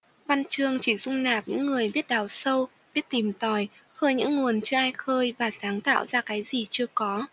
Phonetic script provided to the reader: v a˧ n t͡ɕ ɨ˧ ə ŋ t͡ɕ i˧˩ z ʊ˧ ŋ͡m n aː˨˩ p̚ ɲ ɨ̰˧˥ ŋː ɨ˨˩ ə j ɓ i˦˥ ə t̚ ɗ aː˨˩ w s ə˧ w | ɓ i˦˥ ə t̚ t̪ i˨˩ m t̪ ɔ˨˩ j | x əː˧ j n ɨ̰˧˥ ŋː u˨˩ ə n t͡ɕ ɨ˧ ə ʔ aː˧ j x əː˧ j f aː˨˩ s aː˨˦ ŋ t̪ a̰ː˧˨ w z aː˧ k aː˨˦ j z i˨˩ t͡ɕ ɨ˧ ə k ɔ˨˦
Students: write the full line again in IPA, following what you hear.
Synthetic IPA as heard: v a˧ n t͡ɕ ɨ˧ ə ŋ t͡ɕ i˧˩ z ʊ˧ ŋ͡m n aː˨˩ p̚ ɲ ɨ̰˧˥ ŋː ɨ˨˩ ə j ɓ i˦˥ ə t̚ ɗ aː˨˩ w s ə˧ w | ɓ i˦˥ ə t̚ t̪ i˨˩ m t̪ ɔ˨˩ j | x əː˧ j ɲ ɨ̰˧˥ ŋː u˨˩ ə n t͡ɕ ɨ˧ ə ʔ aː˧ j x əː˧ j v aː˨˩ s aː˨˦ ŋ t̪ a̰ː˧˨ w z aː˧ k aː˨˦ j z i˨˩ t͡ɕ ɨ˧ ə k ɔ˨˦